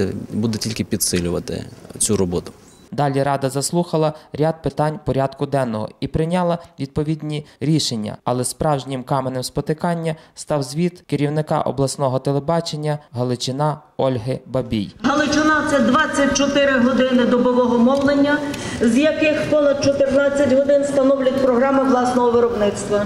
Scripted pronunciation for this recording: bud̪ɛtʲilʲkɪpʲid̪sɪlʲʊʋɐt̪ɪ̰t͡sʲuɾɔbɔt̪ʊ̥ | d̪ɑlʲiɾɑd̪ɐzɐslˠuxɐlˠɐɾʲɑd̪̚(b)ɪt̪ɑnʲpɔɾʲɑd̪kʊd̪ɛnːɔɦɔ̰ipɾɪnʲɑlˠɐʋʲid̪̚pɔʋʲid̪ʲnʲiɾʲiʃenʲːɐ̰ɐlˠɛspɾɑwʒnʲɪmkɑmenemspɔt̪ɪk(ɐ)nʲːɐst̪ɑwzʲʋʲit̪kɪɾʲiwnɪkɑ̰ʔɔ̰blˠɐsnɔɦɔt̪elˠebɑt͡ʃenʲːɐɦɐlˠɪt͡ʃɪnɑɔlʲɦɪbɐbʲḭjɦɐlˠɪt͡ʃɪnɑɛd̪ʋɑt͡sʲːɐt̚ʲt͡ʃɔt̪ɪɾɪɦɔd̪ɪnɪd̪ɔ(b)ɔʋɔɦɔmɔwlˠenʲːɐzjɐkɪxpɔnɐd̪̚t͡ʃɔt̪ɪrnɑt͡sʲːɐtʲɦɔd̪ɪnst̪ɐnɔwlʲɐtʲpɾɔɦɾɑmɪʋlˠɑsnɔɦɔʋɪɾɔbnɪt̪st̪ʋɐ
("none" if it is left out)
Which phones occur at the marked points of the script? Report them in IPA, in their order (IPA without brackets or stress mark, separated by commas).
p, ɑ, b